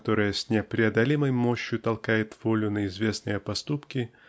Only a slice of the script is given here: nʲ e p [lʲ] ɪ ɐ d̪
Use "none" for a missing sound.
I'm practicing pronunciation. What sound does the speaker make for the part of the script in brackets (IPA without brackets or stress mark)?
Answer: ɾʲ